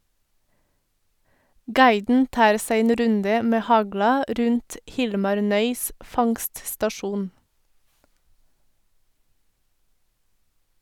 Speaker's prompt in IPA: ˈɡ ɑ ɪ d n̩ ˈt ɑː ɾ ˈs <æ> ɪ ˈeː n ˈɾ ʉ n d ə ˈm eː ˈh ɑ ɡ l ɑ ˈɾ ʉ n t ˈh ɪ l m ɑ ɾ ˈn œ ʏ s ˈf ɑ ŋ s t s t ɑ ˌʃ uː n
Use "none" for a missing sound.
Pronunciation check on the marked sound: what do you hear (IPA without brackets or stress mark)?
æ